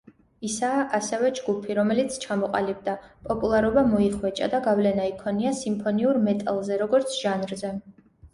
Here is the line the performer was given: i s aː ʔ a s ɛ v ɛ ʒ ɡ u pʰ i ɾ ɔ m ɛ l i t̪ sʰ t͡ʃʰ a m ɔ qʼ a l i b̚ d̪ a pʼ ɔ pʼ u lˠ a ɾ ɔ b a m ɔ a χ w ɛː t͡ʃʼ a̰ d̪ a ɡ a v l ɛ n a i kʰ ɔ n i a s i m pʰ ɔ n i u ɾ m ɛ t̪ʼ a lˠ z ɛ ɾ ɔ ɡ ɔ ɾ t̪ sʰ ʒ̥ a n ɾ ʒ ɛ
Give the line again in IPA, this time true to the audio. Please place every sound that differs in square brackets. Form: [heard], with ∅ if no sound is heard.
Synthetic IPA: i s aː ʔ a s ɛ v ɛ [d͡ʒ] ɡ u pʰ i ɾ ɔ m ɛ l i t̪ sʰ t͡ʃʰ a m ɔ qʼ a l i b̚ d̪ a pʼ ɔ pʼ u lˠ a ɾ ɔ b a m ɔ [i] χ w [ɛ] t͡ʃʼ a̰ d̪ a ɡ a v l ɛ n a i kʰ ɔ n i a s i m pʰ ɔ n i u ɾ m ɛ t̪ʼ a lˠ z ɛ ɾ ɔ ɡ ɔ ɾ t̪ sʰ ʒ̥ a n ɾ [z] ɛ

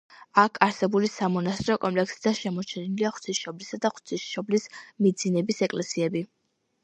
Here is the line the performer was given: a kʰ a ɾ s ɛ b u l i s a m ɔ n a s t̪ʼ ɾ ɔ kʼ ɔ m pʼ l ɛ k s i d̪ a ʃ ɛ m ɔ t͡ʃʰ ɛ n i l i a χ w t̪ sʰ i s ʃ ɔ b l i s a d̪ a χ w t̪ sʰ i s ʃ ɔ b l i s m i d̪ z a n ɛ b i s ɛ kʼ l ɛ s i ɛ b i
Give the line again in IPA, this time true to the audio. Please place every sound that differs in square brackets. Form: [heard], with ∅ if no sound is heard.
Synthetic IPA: a kʰ a ɾ s ɛ b u l i s a m ɔ n a s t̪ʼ ɾ ɔ kʼ ɔ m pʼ l ɛ k s i d̪ a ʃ ɛ m ɔ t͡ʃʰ ɛ n i l i a χ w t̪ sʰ i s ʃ ɔ b l i s a d̪ a χ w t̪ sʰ i s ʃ ɔ b l i s m i d̪ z [i] n ɛ b i s ɛ kʼ l ɛ s i ɛ b i

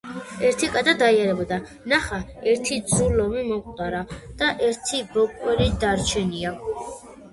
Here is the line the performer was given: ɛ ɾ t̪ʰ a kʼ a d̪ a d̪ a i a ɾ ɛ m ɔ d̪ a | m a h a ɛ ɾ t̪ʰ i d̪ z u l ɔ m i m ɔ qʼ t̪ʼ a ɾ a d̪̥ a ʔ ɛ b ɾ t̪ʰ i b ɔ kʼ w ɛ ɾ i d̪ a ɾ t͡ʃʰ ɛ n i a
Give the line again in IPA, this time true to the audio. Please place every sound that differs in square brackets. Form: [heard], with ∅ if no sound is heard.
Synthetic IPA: ɛ ɾ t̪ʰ [i] kʼ a d̪ a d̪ a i a ɾ ɛ [b] ɔ d̪ a | [n] a [χ] a ɛ ɾ t̪ʰ i d̪ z u l ɔ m i m ɔ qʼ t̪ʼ a ɾ a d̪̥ a ʔ ɛ [∅] ɾ t̪ʰ i b ɔ kʼ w ɛ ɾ i d̪ a ɾ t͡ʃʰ ɛ n i a

